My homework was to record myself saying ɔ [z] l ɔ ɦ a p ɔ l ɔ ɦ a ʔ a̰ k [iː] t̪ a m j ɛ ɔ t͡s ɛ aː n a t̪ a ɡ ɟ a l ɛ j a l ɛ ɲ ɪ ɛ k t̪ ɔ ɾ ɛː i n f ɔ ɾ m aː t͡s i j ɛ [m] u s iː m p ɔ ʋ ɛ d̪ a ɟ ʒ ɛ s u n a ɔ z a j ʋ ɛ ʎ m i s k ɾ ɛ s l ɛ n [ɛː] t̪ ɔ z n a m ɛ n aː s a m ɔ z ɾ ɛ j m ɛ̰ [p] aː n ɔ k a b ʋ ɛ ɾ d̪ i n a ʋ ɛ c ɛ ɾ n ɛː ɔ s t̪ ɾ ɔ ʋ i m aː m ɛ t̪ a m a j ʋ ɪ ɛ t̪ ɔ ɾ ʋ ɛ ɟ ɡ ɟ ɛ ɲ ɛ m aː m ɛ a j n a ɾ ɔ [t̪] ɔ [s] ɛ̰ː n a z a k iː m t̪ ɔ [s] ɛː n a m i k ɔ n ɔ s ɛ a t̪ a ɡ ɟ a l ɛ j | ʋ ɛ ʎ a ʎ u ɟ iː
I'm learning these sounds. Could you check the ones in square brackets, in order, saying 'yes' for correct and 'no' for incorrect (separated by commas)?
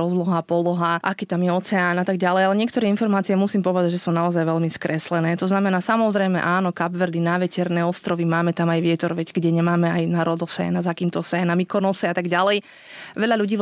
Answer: yes, yes, yes, yes, no, no, yes, yes